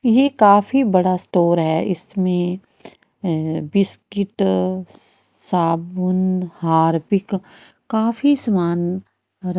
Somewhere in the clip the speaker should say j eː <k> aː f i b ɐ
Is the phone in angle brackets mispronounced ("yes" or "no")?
no